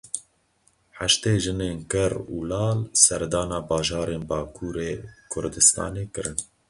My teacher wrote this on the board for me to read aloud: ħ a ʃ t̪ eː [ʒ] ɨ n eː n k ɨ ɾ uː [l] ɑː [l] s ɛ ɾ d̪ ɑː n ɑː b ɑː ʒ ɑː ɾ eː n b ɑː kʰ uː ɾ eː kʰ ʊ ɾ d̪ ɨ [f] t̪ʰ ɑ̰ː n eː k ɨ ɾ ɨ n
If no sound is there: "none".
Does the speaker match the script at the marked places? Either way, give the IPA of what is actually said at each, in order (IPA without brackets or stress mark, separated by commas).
ʒ, l, l, s